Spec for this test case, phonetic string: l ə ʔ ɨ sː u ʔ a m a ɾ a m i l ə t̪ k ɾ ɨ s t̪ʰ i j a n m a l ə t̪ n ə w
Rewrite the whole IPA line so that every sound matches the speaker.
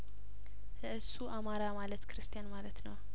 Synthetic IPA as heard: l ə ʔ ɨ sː u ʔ a m a ɾ a m a l ə t̪ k ɾ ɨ s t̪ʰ i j a n m a l ə t̪ n ə w